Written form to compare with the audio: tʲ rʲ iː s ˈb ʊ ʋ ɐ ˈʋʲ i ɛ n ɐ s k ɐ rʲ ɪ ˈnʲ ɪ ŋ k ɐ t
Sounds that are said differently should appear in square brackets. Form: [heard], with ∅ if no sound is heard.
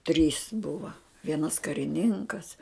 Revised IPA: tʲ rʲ iː s ˈb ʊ ʋ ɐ ˈʋʲ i ɛ n ɐ s k ɐ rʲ ɪ ˈnʲ ɪ ŋ k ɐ [s]